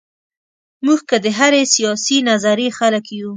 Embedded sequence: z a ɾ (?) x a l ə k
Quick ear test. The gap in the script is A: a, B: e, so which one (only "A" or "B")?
B